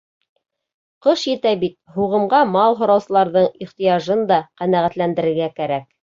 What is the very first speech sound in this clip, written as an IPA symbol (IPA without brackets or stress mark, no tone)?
q